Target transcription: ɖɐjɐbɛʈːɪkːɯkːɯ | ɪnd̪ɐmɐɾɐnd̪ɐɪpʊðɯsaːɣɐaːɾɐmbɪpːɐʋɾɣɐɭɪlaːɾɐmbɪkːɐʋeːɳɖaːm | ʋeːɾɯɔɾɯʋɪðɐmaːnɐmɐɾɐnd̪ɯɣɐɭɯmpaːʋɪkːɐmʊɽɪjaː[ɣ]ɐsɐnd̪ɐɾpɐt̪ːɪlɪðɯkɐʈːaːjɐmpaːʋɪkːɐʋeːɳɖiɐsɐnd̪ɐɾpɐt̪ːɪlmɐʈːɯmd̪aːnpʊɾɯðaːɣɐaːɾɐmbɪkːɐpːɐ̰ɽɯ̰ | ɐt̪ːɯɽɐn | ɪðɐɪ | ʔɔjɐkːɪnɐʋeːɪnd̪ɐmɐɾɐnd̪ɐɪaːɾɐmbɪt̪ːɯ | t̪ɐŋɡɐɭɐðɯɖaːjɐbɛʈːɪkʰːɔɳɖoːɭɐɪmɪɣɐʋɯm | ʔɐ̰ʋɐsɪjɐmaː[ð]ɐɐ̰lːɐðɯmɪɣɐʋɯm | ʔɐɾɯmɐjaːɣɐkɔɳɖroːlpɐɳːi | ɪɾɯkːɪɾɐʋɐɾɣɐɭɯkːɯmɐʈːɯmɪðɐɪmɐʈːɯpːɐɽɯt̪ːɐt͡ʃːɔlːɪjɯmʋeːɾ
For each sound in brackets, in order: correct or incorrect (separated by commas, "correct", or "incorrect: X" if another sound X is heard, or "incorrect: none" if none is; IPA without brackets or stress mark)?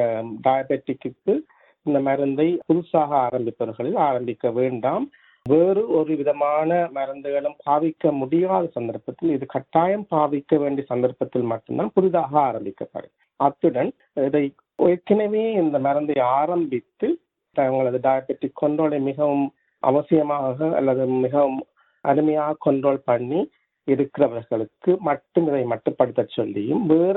incorrect: ð, incorrect: ɣ